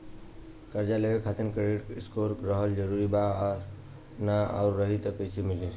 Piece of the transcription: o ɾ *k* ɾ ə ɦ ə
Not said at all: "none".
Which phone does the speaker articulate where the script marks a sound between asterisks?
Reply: k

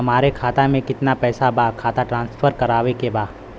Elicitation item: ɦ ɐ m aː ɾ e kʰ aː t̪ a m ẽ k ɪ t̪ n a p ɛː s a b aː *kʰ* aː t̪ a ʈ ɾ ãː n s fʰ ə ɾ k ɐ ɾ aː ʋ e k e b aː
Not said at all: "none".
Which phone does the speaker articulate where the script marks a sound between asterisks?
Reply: kʰ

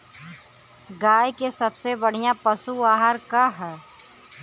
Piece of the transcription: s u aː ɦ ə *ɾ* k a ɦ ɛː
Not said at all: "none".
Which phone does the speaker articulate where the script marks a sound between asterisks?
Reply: ɾ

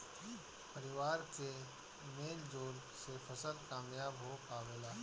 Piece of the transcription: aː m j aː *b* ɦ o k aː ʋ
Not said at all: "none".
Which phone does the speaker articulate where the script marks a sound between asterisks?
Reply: b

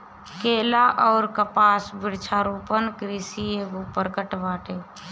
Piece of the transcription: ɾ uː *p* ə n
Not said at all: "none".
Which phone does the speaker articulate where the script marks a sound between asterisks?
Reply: p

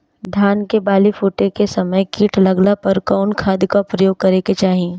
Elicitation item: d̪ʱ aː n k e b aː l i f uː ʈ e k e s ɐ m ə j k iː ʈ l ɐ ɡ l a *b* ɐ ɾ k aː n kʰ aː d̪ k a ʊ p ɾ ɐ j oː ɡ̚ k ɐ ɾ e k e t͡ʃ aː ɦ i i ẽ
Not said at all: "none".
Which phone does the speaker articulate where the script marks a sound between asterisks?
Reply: p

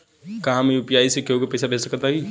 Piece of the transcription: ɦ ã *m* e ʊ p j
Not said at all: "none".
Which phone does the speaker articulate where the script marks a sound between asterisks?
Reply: m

